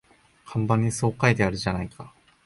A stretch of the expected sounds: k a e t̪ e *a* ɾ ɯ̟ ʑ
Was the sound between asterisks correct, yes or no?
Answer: yes